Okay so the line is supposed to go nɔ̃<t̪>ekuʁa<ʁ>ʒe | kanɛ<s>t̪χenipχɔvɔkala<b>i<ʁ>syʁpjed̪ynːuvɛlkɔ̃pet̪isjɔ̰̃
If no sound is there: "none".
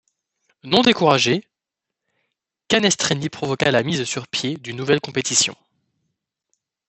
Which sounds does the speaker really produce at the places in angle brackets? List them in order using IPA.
d̪, none, s, m, z

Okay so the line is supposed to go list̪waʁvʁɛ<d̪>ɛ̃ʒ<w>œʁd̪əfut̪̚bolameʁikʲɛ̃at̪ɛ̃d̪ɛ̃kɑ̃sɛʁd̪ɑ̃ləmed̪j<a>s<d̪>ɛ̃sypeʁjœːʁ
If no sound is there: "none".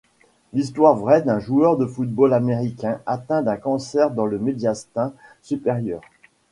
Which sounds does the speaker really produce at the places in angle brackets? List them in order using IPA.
d̪, u, a, t̪

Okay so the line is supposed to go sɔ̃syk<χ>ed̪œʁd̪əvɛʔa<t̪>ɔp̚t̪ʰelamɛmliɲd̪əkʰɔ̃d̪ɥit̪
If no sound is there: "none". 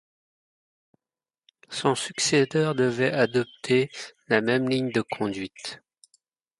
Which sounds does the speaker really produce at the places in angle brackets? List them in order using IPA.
s, d̪

